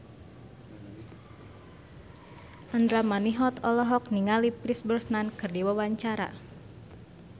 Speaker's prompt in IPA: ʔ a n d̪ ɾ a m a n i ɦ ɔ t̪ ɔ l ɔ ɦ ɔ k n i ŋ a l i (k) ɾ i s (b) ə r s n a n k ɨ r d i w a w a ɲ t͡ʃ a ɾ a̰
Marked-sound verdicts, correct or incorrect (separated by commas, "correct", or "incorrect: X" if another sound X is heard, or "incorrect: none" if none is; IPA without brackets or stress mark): incorrect: p, correct